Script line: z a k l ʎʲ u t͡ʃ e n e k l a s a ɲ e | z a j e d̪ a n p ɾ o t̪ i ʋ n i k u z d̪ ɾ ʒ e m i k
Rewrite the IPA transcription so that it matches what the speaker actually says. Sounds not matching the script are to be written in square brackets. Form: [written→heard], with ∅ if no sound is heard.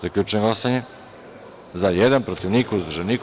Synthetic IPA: z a k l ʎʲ u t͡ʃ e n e [k→ɡ] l a s a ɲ e | z a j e d̪ a n p ɾ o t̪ i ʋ n i k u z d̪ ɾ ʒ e [m→n] i k